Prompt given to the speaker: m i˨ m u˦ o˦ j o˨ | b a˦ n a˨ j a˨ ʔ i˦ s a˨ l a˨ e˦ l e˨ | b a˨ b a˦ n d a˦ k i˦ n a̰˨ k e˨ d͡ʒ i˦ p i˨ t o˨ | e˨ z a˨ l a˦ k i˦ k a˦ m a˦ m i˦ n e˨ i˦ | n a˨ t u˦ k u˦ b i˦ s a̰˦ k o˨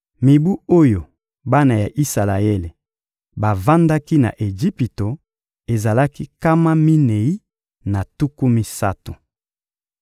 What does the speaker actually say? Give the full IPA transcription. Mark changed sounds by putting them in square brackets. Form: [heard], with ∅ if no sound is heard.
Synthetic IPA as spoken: m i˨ [b] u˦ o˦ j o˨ | b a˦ n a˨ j a˨ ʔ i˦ s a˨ l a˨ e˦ l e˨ | b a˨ [v] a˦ n d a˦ k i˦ n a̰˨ [ʔ] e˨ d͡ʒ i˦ p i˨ t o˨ | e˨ z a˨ l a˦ k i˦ k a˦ m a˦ m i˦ n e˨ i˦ | n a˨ t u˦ k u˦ [m] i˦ s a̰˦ [t] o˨